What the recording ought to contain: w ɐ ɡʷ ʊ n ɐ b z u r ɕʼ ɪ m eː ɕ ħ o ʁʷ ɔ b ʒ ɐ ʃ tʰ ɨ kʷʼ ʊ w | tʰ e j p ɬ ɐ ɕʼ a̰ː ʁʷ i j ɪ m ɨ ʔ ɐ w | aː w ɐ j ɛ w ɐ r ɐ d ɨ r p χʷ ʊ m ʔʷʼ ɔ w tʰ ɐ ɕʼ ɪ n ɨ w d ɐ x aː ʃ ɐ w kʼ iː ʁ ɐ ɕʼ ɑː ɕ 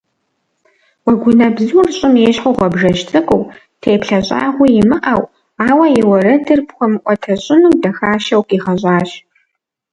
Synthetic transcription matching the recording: w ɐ ɡʷ ʊ n ɐ b z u r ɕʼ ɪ m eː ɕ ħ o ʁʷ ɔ b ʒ ɐ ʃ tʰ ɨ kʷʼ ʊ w | tʰ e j p ɬ ɐ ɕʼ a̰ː ʁʷ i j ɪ m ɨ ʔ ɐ w | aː w ɐ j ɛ w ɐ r ɐ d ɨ r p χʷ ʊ m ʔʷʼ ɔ tʰ ɐ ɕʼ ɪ n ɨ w d ɐ x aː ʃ ɐ w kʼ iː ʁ ɐ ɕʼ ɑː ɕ